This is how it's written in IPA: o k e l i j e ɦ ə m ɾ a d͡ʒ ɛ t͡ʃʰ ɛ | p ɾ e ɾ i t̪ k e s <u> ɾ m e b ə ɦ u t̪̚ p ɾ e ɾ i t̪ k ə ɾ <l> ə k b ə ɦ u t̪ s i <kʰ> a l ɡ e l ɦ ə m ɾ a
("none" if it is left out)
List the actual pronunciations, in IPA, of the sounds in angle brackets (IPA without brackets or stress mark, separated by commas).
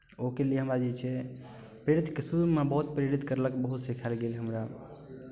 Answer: u, l, kʰ